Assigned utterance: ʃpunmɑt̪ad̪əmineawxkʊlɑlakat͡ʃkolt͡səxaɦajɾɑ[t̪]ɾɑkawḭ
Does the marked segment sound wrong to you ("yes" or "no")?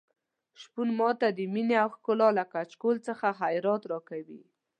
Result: no